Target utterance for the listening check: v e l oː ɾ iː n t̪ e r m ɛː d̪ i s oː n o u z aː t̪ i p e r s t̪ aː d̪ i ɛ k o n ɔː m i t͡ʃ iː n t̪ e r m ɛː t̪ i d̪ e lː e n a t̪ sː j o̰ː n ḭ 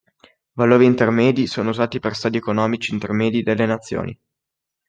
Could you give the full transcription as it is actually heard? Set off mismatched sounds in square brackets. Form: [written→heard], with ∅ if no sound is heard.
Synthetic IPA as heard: v [e→a] l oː ɾ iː n t̪ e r m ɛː d̪ i s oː n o u z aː t̪ i p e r s t̪ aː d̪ i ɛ k o n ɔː m i t͡ʃ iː n t̪ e r m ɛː [t̪→d̪] i d̪ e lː e n a t̪ sː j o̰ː n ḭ